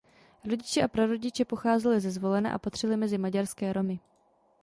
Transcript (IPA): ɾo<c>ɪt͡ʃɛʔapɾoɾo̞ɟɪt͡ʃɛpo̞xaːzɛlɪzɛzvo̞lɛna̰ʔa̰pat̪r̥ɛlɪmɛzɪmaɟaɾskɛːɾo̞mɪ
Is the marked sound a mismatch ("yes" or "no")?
yes